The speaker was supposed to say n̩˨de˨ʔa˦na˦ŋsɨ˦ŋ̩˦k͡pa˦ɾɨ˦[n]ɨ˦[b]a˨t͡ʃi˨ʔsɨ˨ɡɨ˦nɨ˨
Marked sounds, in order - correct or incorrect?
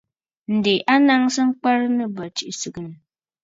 correct, correct

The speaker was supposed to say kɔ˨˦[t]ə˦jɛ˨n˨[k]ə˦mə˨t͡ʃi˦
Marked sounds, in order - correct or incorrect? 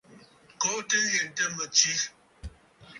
correct, incorrect: t

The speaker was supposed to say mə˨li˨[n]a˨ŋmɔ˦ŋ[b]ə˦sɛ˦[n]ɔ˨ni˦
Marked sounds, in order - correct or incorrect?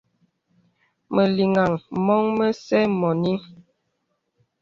incorrect: ŋ, incorrect: m, incorrect: m

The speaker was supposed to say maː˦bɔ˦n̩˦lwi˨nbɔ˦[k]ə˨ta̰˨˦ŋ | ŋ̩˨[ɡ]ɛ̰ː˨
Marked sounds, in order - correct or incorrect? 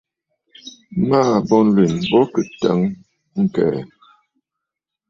correct, incorrect: k

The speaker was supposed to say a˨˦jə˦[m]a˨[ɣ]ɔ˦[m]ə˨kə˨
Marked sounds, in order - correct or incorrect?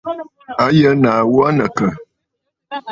incorrect: n, incorrect: w, incorrect: n

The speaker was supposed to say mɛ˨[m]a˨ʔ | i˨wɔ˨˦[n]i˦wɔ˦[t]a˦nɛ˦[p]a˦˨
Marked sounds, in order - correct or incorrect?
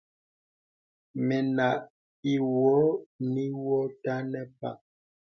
incorrect: n, correct, correct, correct

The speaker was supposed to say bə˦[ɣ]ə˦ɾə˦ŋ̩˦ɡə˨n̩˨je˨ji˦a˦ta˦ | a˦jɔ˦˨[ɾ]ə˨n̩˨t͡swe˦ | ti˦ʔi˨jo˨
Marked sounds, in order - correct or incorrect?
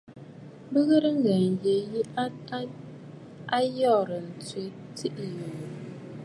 correct, correct

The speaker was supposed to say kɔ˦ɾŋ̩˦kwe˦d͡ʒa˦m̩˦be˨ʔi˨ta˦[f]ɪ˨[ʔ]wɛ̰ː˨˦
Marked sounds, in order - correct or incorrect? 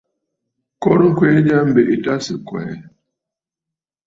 incorrect: s, incorrect: k

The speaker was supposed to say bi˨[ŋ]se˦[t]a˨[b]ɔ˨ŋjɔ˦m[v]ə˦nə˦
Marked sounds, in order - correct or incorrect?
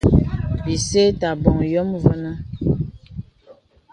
incorrect: none, correct, correct, correct

